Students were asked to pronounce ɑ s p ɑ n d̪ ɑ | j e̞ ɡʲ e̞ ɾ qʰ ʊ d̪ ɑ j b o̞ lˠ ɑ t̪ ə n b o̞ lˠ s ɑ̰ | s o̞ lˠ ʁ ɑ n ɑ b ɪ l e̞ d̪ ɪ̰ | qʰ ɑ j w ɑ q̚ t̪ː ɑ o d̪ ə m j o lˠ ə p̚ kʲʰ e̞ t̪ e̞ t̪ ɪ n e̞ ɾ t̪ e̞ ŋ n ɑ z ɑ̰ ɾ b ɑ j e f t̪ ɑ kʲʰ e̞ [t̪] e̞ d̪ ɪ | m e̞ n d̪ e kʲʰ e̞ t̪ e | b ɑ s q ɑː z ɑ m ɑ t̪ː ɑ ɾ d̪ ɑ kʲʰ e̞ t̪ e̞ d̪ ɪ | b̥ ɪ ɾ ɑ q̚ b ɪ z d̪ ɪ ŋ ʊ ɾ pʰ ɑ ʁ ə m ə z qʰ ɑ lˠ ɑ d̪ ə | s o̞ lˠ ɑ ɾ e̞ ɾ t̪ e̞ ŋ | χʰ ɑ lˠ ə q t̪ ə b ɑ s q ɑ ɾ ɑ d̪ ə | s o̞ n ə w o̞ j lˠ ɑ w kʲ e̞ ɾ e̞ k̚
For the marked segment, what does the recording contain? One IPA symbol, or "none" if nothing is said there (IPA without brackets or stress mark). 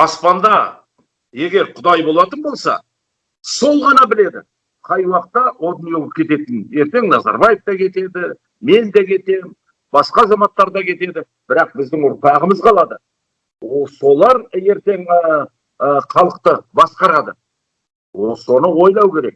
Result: t̪